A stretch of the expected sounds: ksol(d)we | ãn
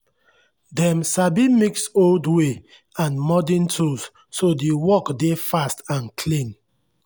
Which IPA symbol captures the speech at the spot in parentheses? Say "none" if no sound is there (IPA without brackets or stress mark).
d